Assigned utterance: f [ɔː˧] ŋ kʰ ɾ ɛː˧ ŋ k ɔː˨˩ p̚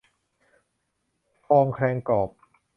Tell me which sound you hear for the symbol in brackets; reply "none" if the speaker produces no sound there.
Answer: ɔː˧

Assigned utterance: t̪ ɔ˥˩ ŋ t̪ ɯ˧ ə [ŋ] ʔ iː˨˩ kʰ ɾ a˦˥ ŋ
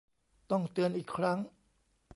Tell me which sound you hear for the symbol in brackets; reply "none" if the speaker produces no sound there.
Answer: n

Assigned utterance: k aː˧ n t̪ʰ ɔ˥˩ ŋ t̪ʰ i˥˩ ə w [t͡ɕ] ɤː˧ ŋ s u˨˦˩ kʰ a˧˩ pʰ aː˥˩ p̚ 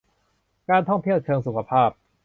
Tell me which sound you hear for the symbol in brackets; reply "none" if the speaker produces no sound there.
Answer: t͡ɕʰ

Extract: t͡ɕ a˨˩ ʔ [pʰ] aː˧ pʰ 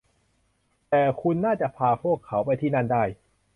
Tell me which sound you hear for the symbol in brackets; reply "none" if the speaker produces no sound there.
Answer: pʰ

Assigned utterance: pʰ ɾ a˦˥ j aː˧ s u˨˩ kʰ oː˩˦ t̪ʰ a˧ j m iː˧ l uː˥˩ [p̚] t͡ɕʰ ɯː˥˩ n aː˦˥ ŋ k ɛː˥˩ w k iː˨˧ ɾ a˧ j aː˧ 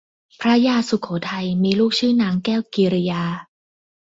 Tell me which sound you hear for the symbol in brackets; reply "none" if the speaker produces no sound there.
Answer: k̚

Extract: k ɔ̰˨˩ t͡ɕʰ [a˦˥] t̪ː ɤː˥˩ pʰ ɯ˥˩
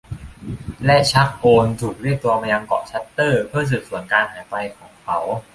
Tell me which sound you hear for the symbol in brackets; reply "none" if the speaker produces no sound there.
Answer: a˦˥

